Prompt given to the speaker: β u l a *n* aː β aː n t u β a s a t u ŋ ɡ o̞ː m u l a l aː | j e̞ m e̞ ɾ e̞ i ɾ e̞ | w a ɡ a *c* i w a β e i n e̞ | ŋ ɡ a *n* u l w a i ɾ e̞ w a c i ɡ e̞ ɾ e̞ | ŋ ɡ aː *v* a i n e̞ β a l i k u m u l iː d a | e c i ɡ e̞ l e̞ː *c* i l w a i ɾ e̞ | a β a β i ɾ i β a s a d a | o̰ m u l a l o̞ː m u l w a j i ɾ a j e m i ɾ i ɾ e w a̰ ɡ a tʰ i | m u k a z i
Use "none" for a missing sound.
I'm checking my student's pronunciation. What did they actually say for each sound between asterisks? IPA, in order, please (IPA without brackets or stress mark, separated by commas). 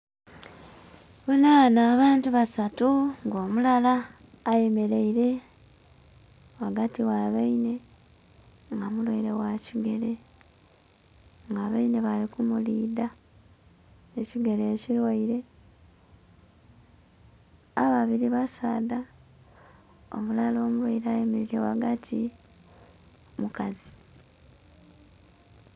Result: n, t, m, β, c